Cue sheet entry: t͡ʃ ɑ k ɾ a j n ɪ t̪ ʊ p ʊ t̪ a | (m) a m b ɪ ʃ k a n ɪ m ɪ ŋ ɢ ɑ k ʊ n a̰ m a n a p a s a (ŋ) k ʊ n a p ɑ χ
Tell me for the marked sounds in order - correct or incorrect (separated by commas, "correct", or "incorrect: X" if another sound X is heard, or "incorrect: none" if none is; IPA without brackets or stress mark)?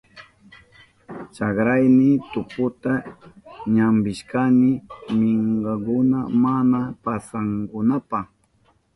incorrect: ɲ, correct